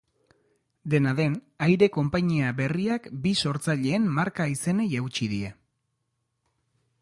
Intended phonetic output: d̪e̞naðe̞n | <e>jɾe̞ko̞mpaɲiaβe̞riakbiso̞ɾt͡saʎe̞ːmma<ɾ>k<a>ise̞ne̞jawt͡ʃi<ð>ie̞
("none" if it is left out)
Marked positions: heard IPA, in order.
a, ɾ, a, ð

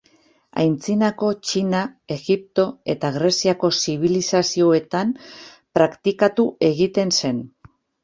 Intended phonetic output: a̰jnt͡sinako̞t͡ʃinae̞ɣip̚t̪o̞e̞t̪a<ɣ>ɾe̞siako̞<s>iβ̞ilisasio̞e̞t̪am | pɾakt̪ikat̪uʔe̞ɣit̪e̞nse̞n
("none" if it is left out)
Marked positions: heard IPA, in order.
ɣ, s

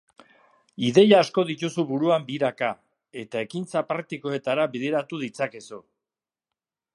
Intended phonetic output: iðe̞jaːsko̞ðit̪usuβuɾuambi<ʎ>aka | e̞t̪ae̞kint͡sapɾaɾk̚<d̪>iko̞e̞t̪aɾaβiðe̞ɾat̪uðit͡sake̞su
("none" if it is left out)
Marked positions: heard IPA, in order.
ɾ, t̪

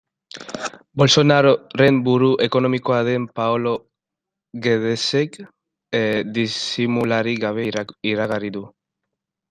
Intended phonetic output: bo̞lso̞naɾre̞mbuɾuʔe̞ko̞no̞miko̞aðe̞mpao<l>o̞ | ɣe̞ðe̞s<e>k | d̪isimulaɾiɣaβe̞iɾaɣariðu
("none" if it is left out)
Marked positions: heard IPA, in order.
l, e

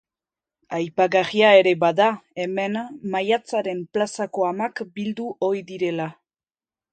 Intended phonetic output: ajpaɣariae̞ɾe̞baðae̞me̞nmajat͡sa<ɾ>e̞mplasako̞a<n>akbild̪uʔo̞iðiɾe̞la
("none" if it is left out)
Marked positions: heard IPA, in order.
ɾ, m

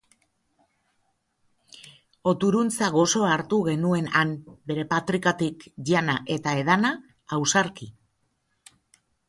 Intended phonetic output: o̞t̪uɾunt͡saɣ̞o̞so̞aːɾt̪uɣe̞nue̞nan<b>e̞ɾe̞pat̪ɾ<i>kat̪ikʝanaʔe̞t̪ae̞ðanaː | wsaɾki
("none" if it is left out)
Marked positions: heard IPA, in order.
b, i

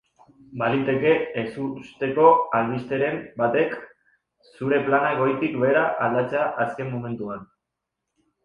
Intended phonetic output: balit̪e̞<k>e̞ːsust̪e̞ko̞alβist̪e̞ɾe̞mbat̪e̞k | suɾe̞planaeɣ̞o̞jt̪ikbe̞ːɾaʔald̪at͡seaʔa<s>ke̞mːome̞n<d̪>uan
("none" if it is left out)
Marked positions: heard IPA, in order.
k, s, t̪

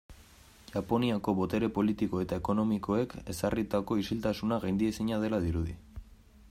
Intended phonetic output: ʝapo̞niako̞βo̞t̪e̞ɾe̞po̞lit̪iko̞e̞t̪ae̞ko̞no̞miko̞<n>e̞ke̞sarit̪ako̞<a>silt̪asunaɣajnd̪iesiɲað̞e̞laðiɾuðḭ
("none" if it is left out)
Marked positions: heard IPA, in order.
none, i

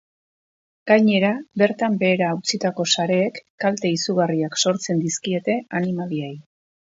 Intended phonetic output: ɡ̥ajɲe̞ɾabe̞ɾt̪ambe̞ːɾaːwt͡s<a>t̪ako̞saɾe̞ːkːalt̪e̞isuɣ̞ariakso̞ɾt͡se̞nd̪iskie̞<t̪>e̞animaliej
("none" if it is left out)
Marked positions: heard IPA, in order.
i, t̪

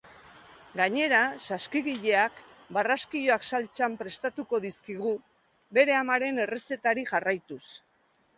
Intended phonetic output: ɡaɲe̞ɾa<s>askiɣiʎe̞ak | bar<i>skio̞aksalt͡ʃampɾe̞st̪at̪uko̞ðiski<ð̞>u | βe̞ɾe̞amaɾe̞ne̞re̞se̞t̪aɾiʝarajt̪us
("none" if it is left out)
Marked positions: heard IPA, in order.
s, a, ɣ̞

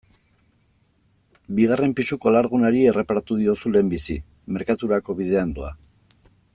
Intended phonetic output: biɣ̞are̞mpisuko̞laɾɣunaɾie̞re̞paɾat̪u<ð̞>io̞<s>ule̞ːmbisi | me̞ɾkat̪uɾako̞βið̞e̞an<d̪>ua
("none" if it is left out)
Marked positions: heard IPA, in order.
ð̞, s, d̪

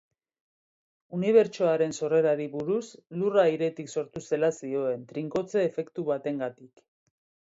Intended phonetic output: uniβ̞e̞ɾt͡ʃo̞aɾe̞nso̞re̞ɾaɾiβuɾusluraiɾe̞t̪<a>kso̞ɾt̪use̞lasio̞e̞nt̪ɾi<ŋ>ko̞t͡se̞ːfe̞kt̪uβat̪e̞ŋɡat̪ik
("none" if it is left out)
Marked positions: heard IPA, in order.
i, ŋ

